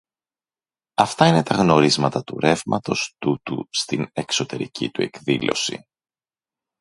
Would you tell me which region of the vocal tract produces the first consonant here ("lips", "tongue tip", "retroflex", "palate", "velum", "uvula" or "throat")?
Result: lips